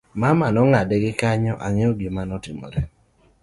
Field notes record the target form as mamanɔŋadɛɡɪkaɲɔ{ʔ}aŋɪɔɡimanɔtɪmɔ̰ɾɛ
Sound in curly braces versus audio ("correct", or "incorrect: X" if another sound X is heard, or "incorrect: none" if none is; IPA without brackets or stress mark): correct